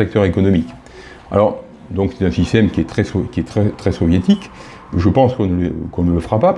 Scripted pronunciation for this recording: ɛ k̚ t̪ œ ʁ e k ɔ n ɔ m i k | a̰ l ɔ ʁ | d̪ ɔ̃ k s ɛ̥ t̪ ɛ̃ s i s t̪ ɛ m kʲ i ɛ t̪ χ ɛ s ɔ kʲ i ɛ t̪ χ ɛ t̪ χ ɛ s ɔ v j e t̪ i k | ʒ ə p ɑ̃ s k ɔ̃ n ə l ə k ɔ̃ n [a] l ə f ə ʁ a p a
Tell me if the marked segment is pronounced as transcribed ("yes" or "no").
no